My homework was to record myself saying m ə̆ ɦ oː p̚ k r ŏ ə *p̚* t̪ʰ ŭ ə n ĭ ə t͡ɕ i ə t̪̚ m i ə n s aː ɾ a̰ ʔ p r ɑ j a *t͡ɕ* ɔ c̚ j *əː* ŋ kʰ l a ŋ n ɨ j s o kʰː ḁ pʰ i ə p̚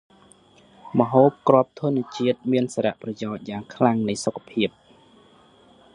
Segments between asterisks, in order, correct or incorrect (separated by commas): correct, incorrect, incorrect